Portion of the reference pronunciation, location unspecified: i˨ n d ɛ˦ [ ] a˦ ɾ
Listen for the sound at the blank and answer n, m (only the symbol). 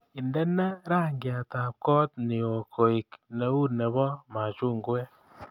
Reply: n